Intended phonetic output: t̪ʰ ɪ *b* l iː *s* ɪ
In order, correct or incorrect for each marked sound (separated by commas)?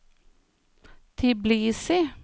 correct, correct